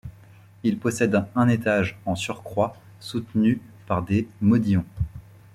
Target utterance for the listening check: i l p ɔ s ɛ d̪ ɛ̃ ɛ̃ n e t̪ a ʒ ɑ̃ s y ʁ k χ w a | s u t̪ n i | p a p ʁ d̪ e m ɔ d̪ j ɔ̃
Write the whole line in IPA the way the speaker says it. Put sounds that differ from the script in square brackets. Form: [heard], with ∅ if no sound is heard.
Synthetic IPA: i l p ɔ s ɛ d̪ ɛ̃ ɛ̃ n e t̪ a ʒ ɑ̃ s y ʁ k χ w a | s u t̪ n [y] | p a [∅] ʁ d̪ e m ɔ d̪ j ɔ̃